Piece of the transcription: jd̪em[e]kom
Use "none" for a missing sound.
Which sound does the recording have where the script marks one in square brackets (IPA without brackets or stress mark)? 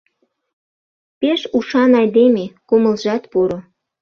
e